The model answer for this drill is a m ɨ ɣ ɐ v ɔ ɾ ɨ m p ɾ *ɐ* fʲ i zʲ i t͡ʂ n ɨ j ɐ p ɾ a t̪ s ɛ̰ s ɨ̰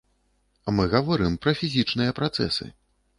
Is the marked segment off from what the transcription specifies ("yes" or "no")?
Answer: no